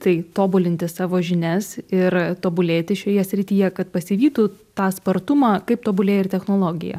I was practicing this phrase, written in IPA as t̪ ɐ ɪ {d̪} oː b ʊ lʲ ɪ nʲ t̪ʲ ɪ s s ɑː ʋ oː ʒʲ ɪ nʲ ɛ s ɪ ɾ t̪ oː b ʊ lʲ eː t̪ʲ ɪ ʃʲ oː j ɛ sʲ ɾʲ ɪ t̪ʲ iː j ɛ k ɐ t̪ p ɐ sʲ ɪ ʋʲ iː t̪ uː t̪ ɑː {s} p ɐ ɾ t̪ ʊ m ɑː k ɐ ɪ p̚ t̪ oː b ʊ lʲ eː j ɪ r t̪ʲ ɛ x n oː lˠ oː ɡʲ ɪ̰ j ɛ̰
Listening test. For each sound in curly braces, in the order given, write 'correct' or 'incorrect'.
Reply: incorrect: t̪, correct

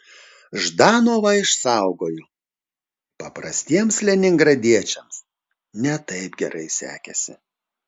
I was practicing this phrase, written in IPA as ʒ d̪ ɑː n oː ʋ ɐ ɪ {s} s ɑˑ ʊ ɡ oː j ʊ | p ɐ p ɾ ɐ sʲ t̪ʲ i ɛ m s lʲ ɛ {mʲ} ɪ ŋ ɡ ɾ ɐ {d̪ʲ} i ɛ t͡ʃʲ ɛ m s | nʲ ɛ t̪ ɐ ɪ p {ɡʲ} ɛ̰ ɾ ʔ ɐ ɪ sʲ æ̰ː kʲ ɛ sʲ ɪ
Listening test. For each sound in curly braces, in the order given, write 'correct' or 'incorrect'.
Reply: incorrect: ʃ, incorrect: nʲ, correct, correct

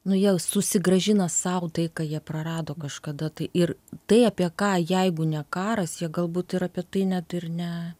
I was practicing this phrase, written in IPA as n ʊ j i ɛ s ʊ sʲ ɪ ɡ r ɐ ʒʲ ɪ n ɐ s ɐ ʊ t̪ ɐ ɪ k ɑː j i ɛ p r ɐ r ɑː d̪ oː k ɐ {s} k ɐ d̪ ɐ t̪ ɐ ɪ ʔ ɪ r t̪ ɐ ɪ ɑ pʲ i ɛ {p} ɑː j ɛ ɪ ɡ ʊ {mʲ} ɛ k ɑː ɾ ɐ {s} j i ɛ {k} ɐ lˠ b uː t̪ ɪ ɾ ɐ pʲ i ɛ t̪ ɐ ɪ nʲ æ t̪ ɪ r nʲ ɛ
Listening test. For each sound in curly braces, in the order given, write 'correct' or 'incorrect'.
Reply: incorrect: ʃ, incorrect: k, incorrect: nʲ, correct, incorrect: ɡ

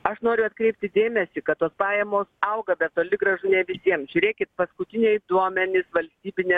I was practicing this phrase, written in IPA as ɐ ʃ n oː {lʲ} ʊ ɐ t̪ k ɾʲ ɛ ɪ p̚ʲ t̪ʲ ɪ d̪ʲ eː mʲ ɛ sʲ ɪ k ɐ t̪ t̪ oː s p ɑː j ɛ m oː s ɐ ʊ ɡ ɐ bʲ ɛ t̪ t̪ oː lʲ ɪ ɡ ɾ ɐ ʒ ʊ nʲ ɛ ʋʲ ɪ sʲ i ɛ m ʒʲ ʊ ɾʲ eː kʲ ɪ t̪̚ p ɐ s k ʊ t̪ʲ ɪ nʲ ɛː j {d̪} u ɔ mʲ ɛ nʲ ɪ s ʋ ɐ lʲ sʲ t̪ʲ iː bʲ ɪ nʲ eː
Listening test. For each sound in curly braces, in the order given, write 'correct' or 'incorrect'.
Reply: incorrect: ɾʲ, correct

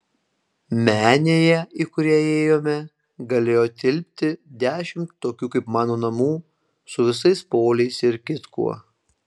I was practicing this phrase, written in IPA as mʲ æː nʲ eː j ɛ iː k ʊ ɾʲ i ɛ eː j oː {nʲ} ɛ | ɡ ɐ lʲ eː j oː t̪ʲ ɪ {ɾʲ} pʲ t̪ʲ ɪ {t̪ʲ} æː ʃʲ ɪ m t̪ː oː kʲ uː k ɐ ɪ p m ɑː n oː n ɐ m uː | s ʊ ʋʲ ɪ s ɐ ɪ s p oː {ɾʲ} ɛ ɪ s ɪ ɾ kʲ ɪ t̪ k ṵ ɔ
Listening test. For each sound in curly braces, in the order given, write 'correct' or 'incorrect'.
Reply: incorrect: mʲ, incorrect: lʲ, incorrect: d̪ʲ, incorrect: lʲ

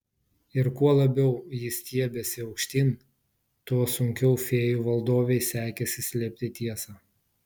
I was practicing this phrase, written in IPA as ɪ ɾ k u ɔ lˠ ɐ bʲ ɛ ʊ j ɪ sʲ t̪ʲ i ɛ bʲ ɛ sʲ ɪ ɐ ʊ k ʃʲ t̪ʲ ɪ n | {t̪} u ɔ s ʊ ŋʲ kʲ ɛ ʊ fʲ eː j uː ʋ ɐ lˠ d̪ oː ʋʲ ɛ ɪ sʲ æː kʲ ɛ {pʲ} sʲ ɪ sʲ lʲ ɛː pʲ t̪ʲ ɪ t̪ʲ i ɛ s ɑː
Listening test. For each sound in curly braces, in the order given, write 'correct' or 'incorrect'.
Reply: correct, incorrect: none

